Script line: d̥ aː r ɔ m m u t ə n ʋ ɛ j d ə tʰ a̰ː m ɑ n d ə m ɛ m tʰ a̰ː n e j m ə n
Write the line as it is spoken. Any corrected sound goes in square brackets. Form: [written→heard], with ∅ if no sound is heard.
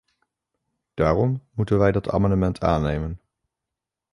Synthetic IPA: d̥ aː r ɔ m m u t ə n ʋ ɛ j d [ə→ɑ] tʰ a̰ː m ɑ n d ə m ɛ [m→n] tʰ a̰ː n e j m ə n